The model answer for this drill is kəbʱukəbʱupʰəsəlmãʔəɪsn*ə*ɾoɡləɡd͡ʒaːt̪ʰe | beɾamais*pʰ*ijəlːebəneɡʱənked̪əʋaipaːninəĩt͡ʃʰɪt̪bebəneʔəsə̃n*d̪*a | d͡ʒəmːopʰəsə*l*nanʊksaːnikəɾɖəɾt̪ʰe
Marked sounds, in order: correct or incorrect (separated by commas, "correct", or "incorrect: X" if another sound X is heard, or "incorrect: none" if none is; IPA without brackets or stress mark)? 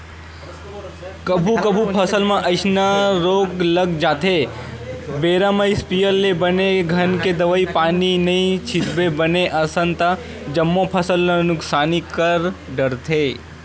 incorrect: a, incorrect: p, incorrect: t̪, correct